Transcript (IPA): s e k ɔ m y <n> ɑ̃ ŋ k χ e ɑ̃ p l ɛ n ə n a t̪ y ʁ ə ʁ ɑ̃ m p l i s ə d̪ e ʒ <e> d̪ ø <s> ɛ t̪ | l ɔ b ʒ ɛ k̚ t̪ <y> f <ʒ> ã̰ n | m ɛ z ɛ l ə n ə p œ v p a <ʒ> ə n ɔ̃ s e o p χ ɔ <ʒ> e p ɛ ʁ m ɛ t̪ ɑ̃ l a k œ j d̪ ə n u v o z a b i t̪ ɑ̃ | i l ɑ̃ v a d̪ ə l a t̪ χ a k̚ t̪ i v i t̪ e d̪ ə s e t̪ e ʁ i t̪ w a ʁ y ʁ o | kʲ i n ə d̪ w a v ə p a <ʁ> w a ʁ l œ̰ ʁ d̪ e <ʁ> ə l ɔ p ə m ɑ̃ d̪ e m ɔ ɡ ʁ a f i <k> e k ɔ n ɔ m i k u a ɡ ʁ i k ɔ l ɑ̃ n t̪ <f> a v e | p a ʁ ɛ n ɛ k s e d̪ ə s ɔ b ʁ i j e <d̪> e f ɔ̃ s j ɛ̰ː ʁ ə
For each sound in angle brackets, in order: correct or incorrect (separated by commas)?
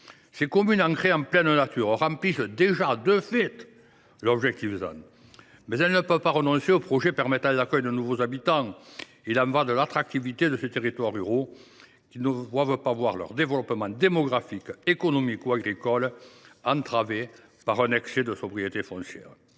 correct, incorrect, incorrect, incorrect, incorrect, incorrect, correct, incorrect, incorrect, correct, incorrect, incorrect